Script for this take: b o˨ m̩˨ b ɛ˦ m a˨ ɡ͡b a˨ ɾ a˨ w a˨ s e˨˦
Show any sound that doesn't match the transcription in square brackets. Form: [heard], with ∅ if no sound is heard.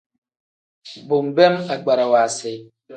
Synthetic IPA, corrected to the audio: b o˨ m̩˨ b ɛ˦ m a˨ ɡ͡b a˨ ɾ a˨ w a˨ s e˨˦